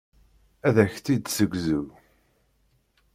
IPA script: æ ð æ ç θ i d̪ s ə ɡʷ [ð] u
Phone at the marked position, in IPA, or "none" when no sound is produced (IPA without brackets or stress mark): z